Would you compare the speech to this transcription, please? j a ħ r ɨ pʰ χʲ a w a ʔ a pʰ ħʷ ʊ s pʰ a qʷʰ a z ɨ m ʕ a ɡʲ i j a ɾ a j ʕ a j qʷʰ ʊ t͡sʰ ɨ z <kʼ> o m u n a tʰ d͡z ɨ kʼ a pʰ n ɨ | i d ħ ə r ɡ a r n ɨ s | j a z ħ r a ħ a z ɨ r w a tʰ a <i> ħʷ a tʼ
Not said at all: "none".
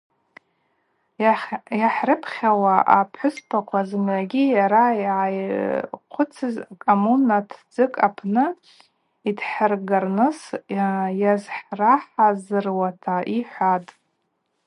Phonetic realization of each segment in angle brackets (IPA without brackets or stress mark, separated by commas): kʼ, i